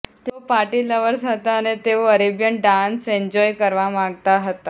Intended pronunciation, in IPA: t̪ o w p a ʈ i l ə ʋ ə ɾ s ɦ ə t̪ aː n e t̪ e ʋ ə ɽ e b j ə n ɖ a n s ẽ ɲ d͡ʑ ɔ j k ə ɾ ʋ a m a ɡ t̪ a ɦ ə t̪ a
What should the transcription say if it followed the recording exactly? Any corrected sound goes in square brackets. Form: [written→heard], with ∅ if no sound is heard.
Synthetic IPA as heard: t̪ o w p a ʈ i l ə ʋ ə ɾ s ɦ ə t̪ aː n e t̪ e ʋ ə [ɽ→ɾ] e b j ə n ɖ a n s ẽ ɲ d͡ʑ ɔ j k ə ɾ ʋ a m a ɡ t̪ a ɦ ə t̪ a